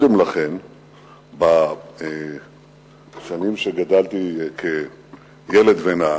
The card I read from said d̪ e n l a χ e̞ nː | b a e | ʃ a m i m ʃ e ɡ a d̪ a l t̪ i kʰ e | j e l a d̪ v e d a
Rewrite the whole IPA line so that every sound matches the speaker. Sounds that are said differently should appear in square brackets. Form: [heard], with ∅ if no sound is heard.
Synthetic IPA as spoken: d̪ e [m] l a χ e̞ [n] | b a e | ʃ a [n] i m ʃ e ɡ a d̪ a l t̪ i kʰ e | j e l [e] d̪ v e [n] a